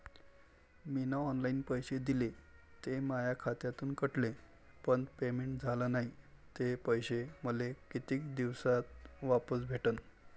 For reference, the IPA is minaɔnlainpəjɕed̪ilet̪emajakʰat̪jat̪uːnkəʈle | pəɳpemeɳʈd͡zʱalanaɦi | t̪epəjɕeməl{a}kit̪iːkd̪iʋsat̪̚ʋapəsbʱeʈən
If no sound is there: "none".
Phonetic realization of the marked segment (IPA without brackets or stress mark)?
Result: e